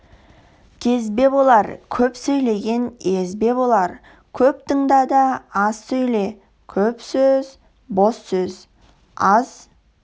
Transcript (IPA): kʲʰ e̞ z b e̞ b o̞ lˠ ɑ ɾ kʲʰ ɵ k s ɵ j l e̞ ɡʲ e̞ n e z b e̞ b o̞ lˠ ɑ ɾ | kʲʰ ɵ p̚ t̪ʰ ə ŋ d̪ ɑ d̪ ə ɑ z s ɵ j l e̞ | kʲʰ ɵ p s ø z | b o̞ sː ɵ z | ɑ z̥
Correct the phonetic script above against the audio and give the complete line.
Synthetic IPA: kʲʰ e̞ z b e̞ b o̞ lˠ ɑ ɾ kʲʰ ɵ p s ɵ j l e̞ ɡʲ e̞ n e z b e̞ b o̞ lˠ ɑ ɾ | kʲʰ ɵ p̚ t̪ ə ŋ d̪ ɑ d̪ ɑ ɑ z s ɵ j l e̞ | kʲʰ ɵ p s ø z | b o̞ sː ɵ z | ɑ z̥